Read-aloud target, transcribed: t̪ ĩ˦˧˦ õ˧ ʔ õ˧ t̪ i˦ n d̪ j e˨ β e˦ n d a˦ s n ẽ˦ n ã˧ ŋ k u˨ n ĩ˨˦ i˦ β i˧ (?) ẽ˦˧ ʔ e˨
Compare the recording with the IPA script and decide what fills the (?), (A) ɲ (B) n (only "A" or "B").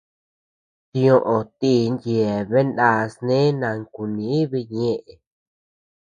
A